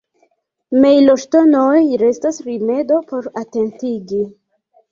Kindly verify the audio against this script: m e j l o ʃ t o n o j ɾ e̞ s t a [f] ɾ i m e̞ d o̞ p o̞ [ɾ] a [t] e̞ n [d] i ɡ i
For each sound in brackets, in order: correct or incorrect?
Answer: incorrect: s, correct, correct, incorrect: t

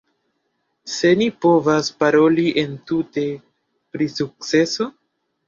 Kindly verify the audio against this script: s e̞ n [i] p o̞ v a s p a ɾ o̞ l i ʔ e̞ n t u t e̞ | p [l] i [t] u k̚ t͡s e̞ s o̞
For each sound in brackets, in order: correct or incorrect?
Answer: correct, incorrect: ɾ, incorrect: s

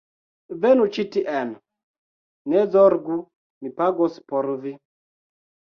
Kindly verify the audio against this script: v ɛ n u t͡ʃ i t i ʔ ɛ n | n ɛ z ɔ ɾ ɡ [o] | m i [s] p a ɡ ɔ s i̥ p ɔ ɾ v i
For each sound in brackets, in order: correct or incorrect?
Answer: incorrect: u, incorrect: none

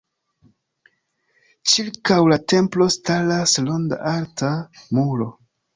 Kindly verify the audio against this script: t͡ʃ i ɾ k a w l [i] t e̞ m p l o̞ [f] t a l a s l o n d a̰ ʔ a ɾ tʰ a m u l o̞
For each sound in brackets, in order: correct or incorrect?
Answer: incorrect: a, incorrect: s

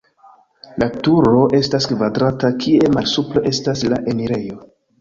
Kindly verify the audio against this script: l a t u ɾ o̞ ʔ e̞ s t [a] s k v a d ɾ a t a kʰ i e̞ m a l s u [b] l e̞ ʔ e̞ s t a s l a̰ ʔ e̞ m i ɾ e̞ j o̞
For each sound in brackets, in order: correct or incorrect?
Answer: correct, incorrect: p

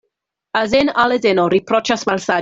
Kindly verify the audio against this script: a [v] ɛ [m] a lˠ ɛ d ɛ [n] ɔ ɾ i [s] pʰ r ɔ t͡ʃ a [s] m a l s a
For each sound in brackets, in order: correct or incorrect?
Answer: incorrect: z, incorrect: n, correct, incorrect: none, correct

